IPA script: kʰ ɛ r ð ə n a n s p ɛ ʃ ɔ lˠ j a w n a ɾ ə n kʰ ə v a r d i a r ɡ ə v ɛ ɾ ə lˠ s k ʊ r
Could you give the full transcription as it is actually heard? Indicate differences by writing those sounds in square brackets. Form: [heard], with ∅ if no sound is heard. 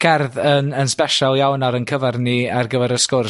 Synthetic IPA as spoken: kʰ ɛ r ð ə n [ə] n s p ɛ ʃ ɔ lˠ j a w n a ɾ ə n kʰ ə v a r [n] i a r ɡ ə v ɛ ɾ ə [∅] s k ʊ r